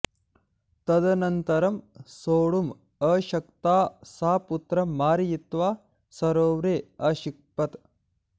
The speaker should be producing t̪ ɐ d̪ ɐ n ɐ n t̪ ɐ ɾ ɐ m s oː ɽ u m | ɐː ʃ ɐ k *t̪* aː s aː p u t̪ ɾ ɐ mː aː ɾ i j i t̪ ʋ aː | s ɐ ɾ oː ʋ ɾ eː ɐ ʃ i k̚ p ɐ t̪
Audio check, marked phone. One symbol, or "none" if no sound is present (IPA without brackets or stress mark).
t̪